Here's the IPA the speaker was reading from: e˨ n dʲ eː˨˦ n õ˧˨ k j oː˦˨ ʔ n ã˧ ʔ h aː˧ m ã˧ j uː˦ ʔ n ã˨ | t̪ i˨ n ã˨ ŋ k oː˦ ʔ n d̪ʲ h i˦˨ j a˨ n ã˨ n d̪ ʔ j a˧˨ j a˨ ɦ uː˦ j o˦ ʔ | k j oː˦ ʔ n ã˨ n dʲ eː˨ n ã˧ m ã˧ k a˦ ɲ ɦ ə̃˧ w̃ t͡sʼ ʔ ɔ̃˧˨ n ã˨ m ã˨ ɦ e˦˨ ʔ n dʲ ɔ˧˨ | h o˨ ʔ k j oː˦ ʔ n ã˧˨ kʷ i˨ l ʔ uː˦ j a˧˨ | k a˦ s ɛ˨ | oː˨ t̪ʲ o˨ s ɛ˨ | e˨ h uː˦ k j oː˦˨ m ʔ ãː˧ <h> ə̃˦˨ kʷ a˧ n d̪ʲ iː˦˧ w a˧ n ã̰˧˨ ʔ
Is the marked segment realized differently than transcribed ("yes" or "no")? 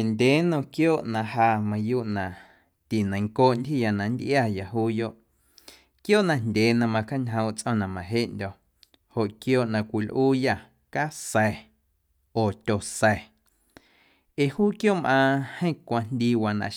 no